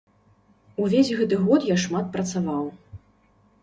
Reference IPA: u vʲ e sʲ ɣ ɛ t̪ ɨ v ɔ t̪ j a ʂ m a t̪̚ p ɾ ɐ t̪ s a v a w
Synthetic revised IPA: u vʲ e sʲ ɣ ɛ t̪ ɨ ɣ ɔ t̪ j a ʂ m a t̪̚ p ɾ ɐ t̪ s a v a w